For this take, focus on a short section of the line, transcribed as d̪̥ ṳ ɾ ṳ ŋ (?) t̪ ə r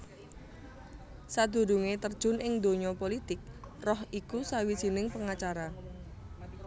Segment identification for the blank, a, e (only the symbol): e